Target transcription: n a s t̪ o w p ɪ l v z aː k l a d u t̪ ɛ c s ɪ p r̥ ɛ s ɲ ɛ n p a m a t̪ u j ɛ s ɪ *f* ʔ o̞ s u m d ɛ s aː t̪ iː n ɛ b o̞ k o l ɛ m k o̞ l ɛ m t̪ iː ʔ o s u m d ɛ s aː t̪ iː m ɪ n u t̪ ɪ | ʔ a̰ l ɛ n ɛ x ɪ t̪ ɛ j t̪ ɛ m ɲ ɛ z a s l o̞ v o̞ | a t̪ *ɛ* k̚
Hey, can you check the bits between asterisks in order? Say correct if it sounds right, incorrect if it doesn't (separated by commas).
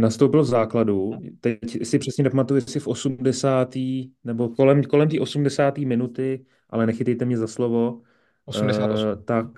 correct, incorrect